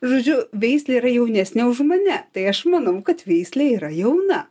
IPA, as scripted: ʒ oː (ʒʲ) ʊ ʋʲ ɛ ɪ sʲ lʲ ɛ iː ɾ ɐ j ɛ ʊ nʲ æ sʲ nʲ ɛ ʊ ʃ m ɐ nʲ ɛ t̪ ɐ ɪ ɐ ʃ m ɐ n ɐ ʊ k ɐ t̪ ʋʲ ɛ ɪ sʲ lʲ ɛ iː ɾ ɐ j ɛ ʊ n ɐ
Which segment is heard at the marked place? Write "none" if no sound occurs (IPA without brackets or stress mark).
d͡ʒʲ